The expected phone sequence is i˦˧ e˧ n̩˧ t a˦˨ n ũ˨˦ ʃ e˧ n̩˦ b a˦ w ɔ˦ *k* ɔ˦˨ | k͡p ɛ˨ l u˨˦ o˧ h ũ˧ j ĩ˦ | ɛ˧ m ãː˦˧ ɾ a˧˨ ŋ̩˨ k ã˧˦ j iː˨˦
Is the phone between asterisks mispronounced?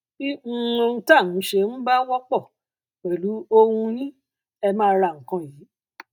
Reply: yes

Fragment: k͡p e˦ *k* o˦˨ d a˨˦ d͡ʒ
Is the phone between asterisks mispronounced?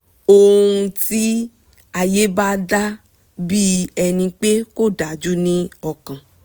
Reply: no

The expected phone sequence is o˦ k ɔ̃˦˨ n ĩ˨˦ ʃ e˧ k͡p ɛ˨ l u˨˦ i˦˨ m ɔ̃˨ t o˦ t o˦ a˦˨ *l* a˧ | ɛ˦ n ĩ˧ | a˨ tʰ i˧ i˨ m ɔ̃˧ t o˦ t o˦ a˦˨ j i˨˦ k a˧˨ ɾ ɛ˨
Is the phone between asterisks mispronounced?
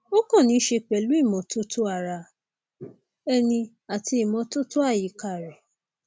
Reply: yes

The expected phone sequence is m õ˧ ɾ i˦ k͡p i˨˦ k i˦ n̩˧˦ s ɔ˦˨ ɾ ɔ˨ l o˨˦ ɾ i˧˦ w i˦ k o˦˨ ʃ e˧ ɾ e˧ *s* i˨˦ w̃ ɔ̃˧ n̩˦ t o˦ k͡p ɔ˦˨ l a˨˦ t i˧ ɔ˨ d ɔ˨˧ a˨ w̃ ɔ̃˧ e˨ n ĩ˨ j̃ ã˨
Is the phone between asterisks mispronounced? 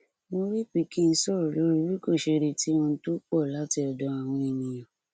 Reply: yes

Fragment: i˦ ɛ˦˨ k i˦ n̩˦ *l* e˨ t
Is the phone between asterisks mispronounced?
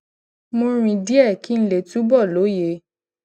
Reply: no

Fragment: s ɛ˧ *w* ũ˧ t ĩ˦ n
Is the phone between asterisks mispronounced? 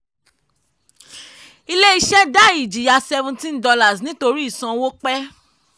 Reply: yes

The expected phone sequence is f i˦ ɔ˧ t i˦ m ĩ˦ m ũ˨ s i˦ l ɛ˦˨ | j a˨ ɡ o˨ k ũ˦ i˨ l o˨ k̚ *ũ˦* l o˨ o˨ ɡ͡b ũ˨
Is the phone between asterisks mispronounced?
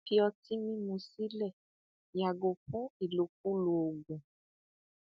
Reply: yes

